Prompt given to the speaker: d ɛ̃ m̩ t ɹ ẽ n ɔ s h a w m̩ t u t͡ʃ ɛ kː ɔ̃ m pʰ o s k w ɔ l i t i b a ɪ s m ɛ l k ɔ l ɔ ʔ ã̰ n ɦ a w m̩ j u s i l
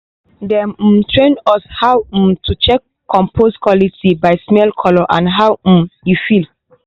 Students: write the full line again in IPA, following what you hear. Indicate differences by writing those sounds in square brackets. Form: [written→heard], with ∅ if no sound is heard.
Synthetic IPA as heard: d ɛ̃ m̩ t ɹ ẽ n ɔ s h a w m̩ t u t͡ʃ ɛ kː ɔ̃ m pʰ o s k w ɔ l i t i b a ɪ s m ɛ l [k→kʰ] ɔ l ɔ ʔ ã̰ n ɦ a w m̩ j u [s→f] i l